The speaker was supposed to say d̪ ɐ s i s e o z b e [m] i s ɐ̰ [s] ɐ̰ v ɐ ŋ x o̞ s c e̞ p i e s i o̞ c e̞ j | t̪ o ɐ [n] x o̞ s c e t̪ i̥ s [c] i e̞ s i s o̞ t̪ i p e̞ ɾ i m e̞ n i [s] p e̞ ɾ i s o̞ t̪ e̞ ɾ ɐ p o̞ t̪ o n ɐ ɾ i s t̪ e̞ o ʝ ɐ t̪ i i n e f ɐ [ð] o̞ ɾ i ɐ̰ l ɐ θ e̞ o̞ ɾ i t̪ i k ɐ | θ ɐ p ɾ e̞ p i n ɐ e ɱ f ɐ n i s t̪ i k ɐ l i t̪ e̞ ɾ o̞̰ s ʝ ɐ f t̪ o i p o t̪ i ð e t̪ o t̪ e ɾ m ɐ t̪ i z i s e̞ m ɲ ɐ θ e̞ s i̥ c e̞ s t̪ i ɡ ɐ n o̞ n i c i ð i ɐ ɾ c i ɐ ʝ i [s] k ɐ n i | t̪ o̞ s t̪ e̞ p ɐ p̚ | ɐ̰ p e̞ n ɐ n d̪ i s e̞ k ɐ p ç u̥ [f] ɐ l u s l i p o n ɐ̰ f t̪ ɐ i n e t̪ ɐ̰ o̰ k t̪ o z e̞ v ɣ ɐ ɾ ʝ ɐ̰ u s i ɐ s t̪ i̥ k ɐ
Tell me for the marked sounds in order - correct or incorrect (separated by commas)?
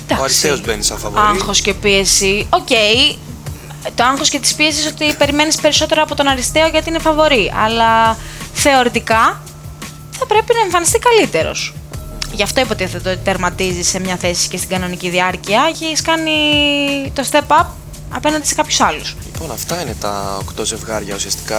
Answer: incorrect, incorrect, incorrect, incorrect, correct, incorrect, correct, incorrect